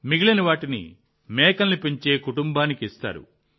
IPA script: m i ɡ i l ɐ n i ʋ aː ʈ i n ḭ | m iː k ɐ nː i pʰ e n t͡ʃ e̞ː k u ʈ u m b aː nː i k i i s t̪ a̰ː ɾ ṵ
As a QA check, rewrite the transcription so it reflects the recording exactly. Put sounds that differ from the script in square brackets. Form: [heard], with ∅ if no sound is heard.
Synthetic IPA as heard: m i ɡ i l ɐ n i ʋ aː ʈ i n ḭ | m [ɛː] k ɐ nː i [p] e [ɲ] t͡ʃ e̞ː k u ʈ u m b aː [n] i k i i s t̪ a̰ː ɾ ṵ